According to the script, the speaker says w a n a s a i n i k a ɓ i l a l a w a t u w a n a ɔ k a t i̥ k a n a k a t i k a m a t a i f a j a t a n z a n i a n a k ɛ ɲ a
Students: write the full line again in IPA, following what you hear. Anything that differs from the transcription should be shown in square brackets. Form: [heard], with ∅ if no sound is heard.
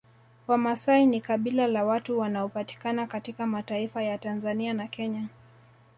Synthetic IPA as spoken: w a [m] a s a i n i k a ɓ i l a l a w a t u w a n a ɔ [p] a t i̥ k a n a k a t i k a m a t a i f a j a t a n z a n i a n a k ɛ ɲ a